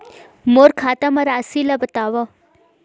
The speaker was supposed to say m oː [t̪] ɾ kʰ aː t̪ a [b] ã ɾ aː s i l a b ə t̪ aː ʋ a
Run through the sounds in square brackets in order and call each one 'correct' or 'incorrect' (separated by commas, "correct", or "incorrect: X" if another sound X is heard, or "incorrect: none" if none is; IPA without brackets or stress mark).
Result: incorrect: none, incorrect: m